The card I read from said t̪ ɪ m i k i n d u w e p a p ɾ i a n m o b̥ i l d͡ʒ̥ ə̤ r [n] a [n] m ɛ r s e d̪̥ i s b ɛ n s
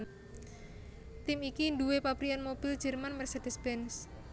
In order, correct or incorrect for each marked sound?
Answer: incorrect: m, correct

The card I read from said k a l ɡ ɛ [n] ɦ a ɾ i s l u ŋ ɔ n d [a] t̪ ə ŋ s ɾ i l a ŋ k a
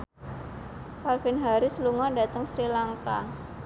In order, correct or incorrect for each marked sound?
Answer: correct, correct

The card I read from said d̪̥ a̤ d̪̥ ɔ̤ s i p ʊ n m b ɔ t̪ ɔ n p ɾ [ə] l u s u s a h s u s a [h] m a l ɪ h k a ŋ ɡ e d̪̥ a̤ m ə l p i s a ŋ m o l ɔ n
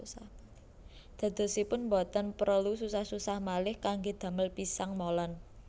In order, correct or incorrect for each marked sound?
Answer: correct, correct

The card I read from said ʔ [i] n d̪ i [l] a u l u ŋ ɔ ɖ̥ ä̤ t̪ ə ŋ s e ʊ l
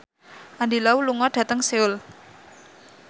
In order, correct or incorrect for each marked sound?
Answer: incorrect: a, correct

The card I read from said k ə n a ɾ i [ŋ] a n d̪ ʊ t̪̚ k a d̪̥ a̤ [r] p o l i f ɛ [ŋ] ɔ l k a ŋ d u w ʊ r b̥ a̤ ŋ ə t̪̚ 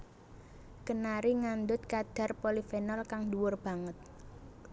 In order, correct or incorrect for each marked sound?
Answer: correct, correct, incorrect: n

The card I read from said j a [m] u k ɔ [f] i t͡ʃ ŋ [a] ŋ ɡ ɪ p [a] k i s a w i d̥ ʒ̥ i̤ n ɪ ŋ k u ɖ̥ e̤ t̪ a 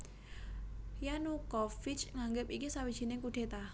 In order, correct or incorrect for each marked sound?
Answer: incorrect: n, correct, correct, incorrect: i

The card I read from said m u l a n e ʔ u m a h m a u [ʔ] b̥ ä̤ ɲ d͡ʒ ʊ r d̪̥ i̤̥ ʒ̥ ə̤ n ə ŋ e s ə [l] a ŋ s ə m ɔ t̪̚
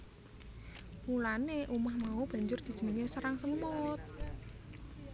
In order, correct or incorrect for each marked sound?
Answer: incorrect: none, incorrect: ɾ

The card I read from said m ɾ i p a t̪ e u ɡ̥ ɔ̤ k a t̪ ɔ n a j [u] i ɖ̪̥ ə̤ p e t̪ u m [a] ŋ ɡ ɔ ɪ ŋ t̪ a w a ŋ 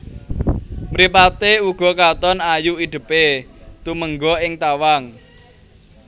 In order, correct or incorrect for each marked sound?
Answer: correct, incorrect: ə

